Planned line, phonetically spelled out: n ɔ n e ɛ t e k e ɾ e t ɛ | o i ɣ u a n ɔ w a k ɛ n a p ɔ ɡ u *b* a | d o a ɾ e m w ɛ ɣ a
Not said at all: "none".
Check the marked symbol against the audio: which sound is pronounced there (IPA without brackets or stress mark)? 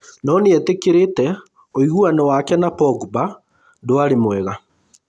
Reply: b